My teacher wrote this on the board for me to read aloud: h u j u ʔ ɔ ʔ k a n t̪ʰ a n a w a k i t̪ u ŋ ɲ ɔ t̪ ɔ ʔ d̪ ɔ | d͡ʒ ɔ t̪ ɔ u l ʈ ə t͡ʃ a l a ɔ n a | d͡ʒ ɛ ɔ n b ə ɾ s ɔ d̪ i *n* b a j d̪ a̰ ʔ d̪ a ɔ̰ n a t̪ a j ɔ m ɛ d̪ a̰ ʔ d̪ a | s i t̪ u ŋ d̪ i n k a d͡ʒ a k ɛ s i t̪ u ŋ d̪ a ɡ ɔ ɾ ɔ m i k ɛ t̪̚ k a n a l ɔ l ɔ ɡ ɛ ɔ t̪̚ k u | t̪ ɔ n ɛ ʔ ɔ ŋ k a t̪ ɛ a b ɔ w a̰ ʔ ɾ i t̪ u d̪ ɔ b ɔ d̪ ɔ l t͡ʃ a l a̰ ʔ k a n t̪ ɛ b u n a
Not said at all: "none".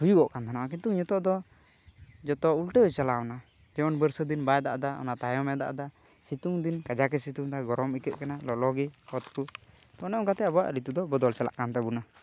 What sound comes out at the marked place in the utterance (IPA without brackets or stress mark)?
n